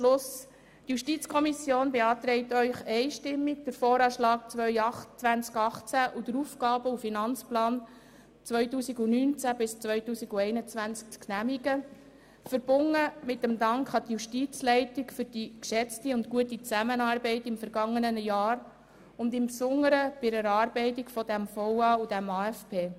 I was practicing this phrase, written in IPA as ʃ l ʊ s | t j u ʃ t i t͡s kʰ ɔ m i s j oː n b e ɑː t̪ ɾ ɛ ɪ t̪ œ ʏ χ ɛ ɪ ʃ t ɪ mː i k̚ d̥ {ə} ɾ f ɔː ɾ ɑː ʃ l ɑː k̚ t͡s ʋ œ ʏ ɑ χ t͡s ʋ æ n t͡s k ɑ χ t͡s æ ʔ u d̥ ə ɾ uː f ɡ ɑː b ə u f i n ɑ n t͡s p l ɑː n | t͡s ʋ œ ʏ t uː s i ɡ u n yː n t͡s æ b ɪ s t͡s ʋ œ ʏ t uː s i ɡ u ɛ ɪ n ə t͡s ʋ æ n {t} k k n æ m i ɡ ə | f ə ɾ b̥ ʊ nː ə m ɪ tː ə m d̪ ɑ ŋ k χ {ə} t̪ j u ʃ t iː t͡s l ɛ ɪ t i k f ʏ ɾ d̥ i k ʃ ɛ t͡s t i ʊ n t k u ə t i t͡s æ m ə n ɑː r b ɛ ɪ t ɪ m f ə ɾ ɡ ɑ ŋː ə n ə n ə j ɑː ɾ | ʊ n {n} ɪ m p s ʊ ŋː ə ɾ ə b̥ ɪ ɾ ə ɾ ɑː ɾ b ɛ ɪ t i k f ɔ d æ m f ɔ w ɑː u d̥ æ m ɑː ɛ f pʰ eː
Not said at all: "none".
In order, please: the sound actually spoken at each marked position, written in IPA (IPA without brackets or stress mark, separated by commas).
ə, t͡s, ɑ, d